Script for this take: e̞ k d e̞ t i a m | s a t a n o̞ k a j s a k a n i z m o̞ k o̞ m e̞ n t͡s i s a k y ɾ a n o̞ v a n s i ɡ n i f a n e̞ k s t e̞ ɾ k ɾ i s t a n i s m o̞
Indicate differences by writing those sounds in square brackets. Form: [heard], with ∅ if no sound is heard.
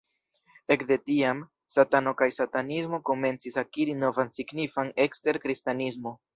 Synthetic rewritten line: e̞ k d e̞ t i a m | s a t a n o̞ k a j s a [t] a n i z m o̞ k o̞ m e̞ n t͡s i s a k [i] ɾ [i] n o̞ v a n s i ɡ n i f a n e̞ k s t e̞ ɾ k ɾ i s t a n i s m o̞